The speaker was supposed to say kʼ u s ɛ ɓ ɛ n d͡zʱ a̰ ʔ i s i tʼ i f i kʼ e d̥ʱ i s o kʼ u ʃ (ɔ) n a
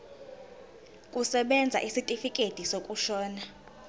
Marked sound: incorrect: ɔː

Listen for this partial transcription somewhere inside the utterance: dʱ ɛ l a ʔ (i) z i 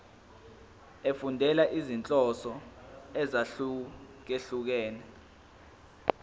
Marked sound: correct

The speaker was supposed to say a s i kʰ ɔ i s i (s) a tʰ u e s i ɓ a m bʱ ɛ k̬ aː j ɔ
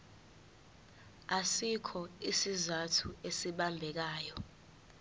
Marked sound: incorrect: z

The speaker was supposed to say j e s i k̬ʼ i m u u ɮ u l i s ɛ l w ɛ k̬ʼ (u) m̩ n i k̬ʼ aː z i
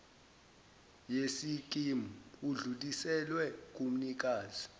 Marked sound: correct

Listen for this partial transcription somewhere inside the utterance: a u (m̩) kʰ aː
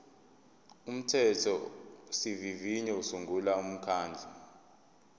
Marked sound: correct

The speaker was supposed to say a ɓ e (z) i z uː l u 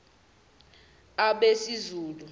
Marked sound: incorrect: s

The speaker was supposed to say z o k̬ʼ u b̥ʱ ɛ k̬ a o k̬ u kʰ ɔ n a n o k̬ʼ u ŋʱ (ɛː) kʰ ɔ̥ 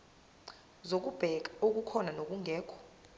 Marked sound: correct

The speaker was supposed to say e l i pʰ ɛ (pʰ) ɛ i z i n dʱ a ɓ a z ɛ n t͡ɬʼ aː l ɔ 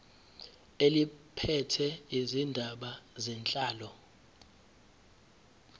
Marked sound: incorrect: tʰ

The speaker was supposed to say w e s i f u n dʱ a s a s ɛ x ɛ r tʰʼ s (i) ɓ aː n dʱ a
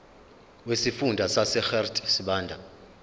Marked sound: correct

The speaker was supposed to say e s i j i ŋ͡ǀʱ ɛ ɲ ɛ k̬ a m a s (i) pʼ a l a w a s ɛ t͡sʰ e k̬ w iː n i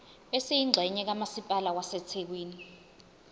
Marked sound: correct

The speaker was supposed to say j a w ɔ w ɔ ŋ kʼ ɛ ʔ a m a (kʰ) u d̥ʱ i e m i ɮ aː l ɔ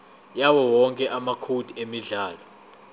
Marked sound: correct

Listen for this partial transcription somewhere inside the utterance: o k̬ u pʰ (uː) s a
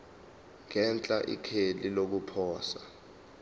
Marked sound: incorrect: ɔː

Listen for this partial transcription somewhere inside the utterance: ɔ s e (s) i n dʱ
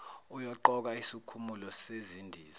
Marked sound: incorrect: z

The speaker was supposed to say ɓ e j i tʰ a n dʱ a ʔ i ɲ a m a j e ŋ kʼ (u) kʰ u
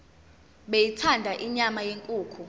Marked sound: incorrect: uː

